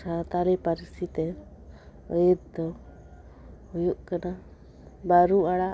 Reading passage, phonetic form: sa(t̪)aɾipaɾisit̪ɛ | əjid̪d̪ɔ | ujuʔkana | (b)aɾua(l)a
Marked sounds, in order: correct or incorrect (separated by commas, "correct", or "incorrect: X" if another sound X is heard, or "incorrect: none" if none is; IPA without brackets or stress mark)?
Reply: correct, correct, incorrect: ɽ